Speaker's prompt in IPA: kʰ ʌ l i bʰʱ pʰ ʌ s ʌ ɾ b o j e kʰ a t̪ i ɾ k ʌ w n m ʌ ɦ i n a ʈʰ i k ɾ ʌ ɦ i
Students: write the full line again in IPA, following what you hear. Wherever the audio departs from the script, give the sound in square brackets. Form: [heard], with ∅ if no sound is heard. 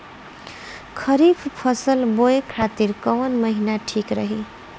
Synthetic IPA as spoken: kʰ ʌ [ɾ] i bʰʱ pʰ ʌ s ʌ [l] b o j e kʰ a t̪ i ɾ k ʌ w n m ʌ ɦ i n a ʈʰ i k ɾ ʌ ɦ i